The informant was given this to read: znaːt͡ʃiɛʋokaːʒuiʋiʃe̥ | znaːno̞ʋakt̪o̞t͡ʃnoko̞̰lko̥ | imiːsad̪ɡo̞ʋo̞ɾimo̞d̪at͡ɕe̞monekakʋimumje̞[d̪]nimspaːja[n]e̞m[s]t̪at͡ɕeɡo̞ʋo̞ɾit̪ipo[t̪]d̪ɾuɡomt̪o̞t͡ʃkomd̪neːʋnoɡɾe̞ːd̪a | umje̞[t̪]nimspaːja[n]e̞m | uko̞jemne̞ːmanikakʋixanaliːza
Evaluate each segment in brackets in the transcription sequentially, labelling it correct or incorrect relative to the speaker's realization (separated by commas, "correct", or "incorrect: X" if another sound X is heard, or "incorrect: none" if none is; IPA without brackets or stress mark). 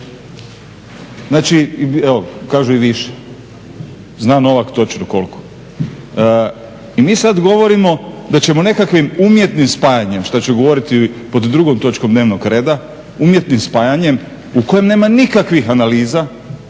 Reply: incorrect: t̪, incorrect: ɲ, incorrect: ʃ, incorrect: d̪, correct, incorrect: ɲ